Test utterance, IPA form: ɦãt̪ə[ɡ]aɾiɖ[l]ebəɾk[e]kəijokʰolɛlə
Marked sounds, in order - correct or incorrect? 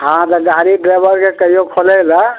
correct, incorrect: ɾ, correct

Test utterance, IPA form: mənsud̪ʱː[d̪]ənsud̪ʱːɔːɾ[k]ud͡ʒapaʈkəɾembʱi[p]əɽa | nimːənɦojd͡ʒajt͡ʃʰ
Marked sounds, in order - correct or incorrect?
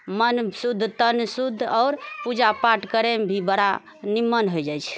incorrect: t̪, incorrect: p, incorrect: b

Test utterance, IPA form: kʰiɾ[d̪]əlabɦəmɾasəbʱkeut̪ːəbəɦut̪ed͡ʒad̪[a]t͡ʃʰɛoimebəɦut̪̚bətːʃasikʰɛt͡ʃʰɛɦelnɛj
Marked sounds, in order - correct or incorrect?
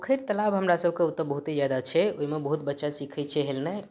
incorrect: t̪, correct

